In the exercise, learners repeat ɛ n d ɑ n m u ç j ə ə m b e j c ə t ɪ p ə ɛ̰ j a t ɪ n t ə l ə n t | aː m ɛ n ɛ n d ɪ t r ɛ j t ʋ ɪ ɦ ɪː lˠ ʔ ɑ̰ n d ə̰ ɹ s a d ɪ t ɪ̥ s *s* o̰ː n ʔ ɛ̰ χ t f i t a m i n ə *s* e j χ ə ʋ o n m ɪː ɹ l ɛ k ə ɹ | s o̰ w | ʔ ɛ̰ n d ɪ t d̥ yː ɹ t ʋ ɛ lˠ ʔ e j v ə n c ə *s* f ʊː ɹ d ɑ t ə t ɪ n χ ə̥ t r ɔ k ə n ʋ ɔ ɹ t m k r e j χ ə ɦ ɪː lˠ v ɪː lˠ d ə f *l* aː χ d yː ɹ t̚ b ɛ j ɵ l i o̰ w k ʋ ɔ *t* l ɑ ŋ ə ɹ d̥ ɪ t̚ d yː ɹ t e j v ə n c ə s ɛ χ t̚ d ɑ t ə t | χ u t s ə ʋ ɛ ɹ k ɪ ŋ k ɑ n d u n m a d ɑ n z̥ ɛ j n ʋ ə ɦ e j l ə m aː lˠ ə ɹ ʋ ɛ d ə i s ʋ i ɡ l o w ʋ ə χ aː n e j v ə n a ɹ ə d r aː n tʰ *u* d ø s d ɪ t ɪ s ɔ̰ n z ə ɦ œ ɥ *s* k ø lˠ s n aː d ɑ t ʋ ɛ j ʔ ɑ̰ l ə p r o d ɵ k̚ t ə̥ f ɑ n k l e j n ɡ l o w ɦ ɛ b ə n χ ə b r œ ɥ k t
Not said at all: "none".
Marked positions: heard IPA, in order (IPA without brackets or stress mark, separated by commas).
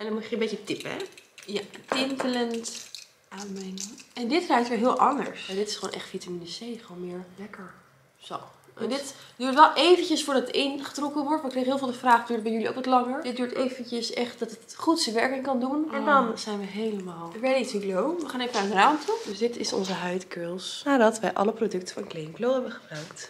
χ, s, s, r, t, u, t